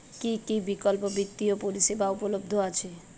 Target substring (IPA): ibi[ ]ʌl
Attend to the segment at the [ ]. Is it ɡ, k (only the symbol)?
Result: k